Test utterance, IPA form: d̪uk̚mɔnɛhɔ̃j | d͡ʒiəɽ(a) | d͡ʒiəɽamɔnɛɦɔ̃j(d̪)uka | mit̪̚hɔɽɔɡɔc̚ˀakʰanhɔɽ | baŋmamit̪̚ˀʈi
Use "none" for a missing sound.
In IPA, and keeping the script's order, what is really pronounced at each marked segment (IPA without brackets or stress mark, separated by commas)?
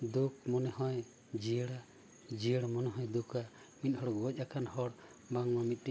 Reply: a, d̪